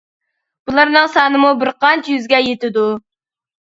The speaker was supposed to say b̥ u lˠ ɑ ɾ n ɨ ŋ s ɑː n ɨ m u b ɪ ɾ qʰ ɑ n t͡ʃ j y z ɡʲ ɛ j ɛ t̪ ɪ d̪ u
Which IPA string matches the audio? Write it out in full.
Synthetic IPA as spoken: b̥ u lˠ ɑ ɾ n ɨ ŋ s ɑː n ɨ m u b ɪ ɾ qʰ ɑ n t͡ʃ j y z ɡʲ ɛ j e t̪ ɪ d̪ u